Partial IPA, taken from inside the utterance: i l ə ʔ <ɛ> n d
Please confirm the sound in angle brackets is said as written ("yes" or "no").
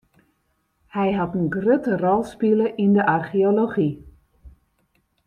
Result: no